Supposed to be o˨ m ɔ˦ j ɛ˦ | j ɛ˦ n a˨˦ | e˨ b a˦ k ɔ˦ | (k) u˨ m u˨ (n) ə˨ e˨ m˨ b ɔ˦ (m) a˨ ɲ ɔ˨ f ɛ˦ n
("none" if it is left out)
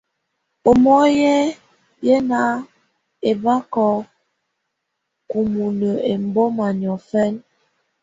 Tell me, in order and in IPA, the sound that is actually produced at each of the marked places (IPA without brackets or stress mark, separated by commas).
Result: k, n, m